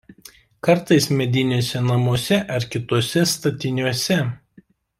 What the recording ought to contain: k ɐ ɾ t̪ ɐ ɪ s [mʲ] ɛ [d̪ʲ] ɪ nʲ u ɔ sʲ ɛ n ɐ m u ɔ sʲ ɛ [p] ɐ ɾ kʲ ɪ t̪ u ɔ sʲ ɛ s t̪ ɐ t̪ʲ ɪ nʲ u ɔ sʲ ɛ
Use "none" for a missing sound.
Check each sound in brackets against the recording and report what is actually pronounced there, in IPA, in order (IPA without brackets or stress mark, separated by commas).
mʲ, d̪ʲ, ʔ